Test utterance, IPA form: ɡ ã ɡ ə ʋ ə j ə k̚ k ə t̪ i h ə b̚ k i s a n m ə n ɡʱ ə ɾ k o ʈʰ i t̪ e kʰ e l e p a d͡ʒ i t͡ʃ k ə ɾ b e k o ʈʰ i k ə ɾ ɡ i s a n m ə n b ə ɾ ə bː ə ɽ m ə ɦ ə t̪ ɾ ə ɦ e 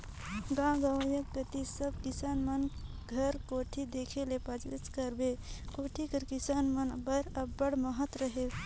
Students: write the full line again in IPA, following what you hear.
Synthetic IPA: ɡ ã ɡ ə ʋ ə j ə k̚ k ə t̪ i s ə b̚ k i s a n m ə n ɡʱ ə ɾ k o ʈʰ i d̪ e kʰ e l e p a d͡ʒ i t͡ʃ k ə ɾ b e k o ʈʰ i k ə ɾ k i s a n m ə n b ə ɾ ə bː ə ɽ m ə ɦ ə t̪ ɾ ə ɦ e